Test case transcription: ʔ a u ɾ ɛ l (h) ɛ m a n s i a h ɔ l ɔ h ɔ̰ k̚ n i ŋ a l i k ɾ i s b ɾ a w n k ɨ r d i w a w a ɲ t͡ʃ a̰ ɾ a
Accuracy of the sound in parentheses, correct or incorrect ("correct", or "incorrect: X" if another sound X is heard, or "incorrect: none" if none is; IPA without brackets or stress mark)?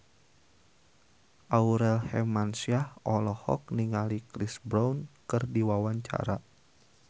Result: correct